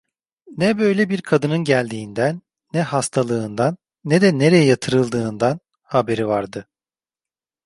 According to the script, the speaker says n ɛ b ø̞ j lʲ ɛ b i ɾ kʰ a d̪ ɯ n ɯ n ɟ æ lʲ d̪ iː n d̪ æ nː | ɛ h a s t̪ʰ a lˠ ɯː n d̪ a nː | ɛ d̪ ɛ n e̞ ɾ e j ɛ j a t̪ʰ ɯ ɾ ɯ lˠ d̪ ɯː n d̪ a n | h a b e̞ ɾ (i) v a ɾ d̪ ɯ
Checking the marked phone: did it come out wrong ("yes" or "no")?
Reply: no